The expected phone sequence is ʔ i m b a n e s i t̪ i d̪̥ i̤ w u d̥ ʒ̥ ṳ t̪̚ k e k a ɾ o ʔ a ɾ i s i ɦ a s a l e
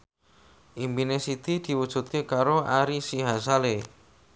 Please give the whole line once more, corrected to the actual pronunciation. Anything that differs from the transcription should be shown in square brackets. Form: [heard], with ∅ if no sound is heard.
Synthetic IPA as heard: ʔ i m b [i] n e s i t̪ i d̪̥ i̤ w u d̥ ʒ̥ ṳ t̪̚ k e k a ɾ o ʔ a ɾ i s i ɦ a s a l e